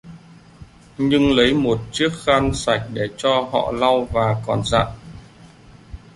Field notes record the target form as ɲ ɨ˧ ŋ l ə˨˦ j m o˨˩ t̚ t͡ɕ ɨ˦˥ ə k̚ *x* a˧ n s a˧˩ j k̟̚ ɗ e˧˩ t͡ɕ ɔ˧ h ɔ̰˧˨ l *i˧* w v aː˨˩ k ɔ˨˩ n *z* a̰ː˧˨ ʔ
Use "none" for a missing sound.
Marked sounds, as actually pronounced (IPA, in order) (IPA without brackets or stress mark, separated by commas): x, a˧, z